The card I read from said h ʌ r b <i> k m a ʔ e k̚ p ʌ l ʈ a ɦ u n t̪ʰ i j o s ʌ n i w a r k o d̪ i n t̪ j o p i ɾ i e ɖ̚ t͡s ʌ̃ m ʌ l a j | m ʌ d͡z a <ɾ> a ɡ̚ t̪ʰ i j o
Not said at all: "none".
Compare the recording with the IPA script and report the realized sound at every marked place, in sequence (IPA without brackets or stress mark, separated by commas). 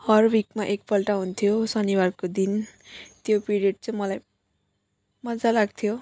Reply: i, l